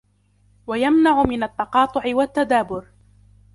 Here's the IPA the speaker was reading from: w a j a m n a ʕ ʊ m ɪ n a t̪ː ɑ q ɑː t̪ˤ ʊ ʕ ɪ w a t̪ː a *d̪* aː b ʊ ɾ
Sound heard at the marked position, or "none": d̪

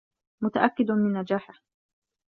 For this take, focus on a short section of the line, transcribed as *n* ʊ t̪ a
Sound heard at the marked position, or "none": m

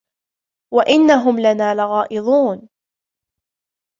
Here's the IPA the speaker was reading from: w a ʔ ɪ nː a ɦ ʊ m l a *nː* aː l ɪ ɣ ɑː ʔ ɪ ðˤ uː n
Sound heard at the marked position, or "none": n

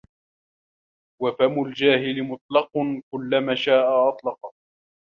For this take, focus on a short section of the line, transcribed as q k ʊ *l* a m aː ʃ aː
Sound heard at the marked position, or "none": lː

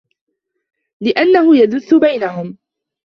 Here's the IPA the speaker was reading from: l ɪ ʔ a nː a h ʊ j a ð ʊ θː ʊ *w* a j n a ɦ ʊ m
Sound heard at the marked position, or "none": b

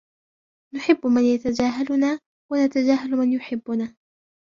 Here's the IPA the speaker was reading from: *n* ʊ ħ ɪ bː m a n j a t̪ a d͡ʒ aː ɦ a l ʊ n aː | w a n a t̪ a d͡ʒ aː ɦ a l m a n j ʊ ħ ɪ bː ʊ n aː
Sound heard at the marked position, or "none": n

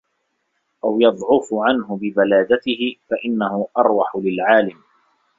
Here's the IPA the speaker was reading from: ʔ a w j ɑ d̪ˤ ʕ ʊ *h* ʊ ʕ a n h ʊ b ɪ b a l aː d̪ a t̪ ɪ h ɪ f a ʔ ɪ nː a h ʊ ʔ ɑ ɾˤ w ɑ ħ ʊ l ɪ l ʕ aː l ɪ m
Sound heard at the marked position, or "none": f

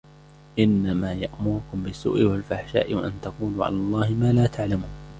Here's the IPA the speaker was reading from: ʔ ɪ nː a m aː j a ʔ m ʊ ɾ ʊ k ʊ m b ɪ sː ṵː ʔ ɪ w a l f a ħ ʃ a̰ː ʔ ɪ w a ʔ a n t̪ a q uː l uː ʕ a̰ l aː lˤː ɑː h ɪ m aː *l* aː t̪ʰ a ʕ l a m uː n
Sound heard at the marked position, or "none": l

